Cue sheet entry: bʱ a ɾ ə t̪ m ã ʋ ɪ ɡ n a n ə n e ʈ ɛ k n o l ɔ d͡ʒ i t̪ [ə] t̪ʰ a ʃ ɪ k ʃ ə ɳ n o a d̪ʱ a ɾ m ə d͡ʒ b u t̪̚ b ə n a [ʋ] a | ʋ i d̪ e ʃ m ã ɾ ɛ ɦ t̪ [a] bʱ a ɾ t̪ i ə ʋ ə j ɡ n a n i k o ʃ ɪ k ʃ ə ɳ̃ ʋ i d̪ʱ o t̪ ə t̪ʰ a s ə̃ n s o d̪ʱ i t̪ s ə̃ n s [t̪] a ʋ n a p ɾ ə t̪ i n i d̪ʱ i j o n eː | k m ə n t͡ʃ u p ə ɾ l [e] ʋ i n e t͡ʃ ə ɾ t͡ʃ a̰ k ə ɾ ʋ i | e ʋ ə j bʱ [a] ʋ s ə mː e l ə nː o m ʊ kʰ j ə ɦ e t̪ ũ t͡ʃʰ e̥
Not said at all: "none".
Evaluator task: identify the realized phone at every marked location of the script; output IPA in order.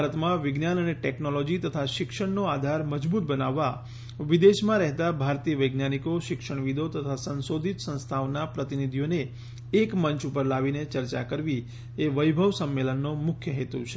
ə, ʋː, a, t̪ʰ, a, ə

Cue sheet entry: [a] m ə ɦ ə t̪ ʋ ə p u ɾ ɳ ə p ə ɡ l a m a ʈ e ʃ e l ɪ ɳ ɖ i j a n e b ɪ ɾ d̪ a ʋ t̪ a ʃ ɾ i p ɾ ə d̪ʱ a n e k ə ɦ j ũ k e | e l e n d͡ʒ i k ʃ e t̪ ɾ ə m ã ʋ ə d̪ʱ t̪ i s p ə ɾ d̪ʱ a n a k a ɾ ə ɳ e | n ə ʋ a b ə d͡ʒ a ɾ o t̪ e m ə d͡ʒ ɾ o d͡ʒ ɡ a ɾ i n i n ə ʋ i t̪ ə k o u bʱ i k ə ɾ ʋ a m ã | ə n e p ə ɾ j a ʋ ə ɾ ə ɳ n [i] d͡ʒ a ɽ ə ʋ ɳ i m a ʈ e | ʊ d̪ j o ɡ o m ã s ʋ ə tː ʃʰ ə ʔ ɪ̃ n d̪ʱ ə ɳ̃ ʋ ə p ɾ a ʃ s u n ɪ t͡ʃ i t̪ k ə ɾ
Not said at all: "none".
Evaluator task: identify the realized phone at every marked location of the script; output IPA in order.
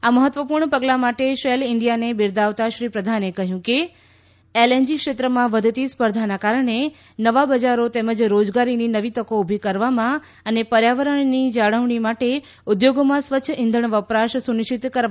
a, i

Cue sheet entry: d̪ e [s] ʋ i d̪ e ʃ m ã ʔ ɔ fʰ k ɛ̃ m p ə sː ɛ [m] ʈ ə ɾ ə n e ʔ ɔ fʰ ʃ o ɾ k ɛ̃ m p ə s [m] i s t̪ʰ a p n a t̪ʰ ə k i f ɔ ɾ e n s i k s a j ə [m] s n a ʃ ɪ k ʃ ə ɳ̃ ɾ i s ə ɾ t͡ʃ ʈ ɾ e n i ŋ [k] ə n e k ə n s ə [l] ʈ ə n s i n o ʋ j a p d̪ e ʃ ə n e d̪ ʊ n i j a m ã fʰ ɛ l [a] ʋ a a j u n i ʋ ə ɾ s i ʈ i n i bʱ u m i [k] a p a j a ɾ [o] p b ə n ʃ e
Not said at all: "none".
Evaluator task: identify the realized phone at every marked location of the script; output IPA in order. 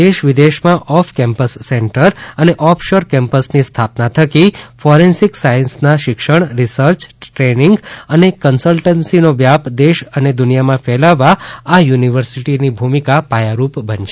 ʃ, ɳ, n, n, ɡ, l, a, k, u

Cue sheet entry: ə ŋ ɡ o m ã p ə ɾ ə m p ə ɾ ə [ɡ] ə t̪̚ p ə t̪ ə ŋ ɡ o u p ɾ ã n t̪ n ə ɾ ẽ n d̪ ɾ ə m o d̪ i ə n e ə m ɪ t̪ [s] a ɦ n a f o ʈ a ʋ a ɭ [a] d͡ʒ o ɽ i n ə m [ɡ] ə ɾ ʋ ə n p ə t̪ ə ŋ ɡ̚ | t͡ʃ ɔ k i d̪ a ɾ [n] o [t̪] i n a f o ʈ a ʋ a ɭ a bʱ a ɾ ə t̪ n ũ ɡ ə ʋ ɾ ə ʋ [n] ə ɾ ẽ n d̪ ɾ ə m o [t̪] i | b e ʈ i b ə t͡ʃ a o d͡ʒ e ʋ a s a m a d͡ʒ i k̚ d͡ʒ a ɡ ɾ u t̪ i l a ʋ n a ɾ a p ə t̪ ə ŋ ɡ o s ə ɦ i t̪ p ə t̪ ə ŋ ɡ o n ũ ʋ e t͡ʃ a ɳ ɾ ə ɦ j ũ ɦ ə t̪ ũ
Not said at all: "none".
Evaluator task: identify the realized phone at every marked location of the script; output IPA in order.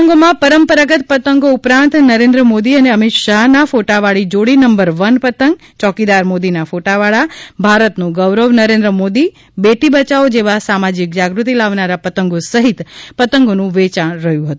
ɡ, ʃ, i, b, m, d̪, n, d̪

